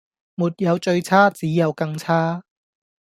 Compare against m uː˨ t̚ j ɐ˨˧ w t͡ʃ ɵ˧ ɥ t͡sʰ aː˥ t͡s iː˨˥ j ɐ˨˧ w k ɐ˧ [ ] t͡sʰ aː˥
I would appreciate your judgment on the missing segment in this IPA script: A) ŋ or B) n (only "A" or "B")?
A